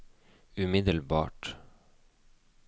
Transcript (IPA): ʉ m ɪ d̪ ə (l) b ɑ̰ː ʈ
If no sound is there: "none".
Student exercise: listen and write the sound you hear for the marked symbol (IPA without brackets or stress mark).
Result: l